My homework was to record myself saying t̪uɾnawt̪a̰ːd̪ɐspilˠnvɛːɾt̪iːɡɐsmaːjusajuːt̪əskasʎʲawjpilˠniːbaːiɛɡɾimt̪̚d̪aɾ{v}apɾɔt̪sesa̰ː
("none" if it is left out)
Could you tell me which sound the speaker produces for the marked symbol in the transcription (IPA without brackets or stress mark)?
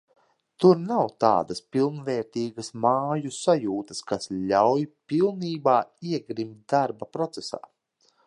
b